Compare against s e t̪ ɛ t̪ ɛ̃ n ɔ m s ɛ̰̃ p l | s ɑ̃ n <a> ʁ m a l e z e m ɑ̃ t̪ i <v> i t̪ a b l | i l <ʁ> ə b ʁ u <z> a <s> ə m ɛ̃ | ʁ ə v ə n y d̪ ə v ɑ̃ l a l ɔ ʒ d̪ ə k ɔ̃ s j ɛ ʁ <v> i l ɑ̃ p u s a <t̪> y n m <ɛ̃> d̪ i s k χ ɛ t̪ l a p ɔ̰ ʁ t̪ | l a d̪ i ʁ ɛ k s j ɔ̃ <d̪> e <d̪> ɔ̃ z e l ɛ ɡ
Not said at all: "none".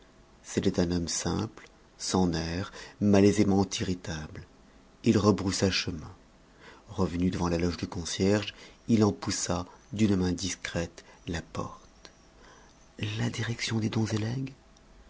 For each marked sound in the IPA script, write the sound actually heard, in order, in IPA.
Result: ɛ, ʁ, ʁ, s, ʃ, ʒ, d̪, ɛ̃, d̪, d̪

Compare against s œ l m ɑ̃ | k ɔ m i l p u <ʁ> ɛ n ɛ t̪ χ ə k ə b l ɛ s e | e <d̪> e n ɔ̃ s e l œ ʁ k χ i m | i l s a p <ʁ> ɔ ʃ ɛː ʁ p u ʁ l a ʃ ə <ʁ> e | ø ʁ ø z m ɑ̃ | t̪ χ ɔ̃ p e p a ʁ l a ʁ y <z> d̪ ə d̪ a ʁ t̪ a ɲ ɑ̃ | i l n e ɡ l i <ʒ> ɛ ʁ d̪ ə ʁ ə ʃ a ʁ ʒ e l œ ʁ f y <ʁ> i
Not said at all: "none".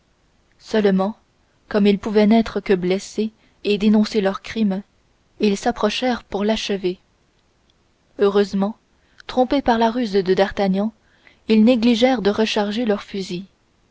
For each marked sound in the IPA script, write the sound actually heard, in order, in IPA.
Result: v, d̪, χ, v, z, ʒ, z

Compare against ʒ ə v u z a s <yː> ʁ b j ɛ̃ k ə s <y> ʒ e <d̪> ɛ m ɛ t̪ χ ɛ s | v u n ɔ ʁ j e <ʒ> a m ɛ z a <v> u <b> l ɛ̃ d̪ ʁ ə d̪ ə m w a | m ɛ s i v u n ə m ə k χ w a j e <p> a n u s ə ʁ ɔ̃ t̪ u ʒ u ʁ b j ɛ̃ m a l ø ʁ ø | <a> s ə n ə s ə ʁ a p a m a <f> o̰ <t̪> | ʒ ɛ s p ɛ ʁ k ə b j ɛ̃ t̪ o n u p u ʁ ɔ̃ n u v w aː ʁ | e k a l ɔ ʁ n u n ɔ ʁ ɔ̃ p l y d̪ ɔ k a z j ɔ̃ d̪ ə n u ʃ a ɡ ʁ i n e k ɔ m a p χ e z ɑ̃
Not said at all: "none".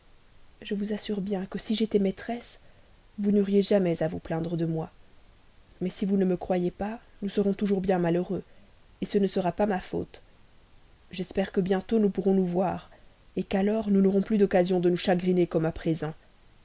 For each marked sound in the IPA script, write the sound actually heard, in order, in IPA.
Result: y, i, t̪, ʒ, v, p, p, e, f, t̪

